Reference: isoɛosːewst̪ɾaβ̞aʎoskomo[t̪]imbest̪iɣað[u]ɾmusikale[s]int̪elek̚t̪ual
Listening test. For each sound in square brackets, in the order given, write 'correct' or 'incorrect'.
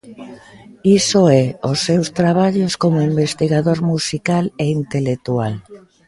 incorrect, incorrect, incorrect

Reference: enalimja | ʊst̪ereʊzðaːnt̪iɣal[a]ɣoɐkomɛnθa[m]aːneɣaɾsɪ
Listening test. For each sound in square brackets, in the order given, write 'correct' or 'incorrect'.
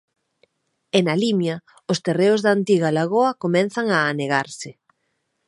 correct, incorrect

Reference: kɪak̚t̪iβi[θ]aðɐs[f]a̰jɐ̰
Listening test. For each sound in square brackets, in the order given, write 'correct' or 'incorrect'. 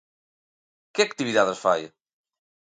incorrect, correct

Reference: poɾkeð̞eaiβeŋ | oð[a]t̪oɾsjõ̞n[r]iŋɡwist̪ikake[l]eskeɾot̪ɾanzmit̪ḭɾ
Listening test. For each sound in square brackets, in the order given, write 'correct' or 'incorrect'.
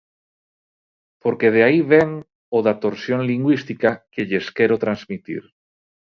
correct, incorrect, incorrect

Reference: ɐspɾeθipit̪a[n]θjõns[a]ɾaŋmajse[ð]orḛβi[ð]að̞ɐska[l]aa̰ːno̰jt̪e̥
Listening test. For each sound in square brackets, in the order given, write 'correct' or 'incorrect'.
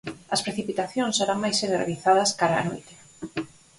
incorrect, incorrect, correct, incorrect, incorrect

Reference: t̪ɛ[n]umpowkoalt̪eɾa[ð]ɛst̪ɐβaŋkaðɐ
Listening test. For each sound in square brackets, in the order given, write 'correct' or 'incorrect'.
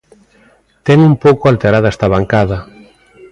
incorrect, correct

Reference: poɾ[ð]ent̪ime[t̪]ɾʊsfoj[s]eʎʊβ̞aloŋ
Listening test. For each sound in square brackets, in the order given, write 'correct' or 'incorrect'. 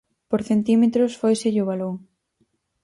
incorrect, correct, correct

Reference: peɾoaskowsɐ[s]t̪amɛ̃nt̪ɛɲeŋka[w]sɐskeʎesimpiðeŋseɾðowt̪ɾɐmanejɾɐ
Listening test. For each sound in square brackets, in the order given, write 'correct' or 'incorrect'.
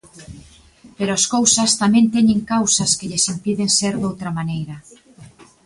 correct, correct

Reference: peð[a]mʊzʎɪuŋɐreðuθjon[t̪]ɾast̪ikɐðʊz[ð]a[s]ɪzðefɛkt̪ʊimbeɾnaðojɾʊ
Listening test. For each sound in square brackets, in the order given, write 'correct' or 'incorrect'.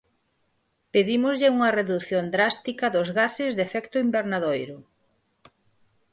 incorrect, incorrect, incorrect, correct

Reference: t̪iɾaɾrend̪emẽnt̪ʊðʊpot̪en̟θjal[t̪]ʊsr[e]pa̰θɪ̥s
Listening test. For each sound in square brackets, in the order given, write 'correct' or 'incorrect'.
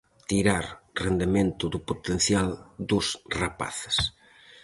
incorrect, incorrect

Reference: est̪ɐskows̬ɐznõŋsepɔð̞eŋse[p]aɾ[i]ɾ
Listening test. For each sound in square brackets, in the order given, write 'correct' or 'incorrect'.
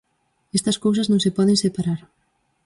correct, incorrect

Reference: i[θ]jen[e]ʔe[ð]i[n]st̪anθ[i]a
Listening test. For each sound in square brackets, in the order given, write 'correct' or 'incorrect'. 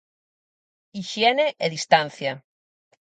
incorrect, correct, correct, incorrect, incorrect

